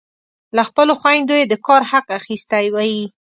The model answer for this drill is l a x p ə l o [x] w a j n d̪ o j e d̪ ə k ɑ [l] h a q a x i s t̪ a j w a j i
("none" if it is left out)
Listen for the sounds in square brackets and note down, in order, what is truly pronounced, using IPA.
x, ɾ

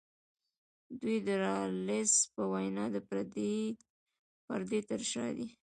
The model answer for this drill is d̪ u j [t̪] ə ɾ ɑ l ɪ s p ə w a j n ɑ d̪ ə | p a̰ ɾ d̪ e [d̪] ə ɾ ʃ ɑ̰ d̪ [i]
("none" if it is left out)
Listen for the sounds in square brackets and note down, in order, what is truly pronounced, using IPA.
d̪, t̪, i

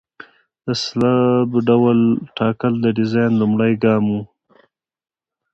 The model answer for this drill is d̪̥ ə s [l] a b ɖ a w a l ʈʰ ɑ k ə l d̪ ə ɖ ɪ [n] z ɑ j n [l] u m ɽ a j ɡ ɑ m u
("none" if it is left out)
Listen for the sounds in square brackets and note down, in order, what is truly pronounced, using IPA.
l, none, l

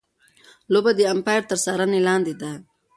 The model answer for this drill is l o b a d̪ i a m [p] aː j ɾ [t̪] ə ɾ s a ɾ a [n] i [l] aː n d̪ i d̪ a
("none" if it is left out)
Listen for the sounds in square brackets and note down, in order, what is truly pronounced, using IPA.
p, t̪, n, l

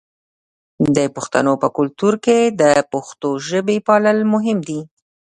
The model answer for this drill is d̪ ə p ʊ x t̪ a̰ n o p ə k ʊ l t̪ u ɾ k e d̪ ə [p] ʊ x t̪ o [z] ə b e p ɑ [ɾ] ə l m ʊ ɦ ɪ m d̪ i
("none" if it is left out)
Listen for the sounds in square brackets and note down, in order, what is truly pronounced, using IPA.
p, ʒ, l

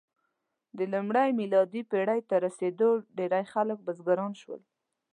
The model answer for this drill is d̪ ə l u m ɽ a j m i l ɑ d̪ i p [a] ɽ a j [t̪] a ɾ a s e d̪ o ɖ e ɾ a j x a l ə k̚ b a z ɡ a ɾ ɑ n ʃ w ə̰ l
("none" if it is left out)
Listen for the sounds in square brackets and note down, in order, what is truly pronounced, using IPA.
e, t̪

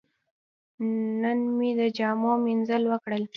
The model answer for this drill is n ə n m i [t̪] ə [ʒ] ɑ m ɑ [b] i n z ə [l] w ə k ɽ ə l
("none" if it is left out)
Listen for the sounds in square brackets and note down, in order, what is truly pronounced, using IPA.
d̪, d͡ʒ, m, l

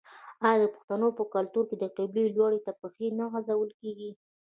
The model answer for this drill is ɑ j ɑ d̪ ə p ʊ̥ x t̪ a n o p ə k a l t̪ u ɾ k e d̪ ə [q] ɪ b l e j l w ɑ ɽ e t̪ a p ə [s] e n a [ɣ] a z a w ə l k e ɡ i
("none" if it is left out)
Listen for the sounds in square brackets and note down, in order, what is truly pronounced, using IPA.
q, x, ɣ

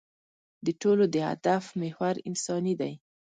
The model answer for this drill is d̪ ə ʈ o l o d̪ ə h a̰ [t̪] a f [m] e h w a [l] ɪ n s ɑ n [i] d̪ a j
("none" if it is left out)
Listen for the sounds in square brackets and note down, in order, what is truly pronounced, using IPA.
d̪, m, ɾ, i

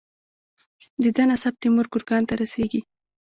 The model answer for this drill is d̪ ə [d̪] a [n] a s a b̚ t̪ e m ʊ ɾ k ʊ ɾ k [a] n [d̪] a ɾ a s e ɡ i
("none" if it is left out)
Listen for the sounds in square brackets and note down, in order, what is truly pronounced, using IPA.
d̪, n, ɑ, t̪

